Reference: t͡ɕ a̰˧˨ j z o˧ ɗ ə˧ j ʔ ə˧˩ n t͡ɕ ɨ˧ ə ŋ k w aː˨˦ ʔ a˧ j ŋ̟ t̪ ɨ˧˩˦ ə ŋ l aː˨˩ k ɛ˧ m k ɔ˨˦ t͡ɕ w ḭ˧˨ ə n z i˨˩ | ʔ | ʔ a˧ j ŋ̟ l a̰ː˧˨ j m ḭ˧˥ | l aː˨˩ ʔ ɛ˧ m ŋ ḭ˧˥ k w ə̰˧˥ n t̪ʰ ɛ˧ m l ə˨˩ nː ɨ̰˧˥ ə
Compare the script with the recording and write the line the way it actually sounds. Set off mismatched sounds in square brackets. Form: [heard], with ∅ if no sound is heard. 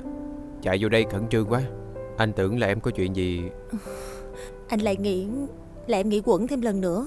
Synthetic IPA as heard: t͡ɕ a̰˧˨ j z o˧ ɗ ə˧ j [k] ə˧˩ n t͡ɕ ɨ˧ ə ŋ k w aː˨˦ ʔ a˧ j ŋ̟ t̪ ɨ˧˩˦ ə ŋ l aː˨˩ [ʔ] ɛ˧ m k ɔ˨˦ t͡ɕ w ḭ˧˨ ə n z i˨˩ | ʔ | ʔ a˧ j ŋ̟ l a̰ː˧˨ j [ŋ] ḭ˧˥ | l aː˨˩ ʔ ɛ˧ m ŋ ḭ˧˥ k w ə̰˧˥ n t̪ʰ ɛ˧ m l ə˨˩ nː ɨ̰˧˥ ə